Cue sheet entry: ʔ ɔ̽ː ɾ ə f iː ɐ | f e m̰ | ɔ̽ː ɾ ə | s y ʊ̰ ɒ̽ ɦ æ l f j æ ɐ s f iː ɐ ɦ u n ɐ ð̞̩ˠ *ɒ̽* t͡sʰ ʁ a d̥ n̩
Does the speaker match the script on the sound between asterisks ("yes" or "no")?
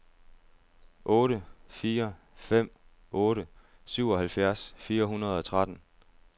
yes